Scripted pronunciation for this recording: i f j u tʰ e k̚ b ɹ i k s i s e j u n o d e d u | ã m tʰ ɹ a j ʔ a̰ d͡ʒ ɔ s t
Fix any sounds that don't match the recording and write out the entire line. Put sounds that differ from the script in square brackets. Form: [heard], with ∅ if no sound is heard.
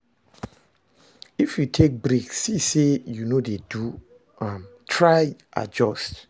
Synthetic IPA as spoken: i f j u tʰ e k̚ b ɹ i k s i s e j u n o d e d u | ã m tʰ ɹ a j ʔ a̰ d͡ʒ ɔ s t